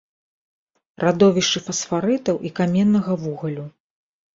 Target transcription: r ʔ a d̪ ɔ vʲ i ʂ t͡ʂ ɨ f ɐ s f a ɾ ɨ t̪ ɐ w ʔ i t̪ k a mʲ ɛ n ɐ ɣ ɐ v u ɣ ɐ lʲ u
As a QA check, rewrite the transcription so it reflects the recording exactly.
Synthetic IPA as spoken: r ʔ a d̪ ɔ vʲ i ʂ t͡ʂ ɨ f ɐ s f a ɾ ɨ t̪ ɐ w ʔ i k a mʲ ɛ nː ɐ ɣ ɐ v u ɣ ɐ lʲ u